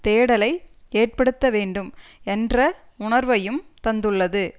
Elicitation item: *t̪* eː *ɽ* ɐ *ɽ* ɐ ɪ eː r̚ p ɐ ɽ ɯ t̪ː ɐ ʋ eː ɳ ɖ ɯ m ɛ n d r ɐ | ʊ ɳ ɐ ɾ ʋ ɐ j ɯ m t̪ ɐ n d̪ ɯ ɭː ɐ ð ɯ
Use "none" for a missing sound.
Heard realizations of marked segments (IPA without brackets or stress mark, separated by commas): t̪, ɽ, l